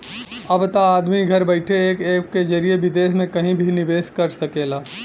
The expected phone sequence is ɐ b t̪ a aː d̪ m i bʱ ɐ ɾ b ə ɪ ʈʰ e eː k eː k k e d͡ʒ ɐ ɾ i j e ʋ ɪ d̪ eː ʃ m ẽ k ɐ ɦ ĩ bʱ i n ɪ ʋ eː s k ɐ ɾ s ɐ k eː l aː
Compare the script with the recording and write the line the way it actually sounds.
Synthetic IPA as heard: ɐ b t̪ a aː d̪ m i ɡʱ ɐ ɾ b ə ɪ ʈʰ e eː k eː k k e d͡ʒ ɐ ɾ i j e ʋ ɪ d̪ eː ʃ m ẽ k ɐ ɦ ĩ bʱ i n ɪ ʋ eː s k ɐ ɾ s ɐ k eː l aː